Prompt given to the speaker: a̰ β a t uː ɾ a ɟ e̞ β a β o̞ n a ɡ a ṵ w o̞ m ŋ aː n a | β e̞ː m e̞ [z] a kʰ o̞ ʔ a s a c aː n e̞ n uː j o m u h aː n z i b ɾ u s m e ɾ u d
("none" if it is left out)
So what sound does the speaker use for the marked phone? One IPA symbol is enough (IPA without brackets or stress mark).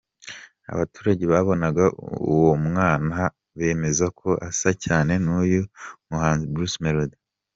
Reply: z